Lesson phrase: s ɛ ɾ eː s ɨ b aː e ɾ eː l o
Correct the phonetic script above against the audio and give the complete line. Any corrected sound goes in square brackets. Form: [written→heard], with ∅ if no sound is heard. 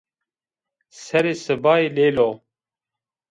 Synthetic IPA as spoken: s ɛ ɾ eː s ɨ b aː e [ɾ→l] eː l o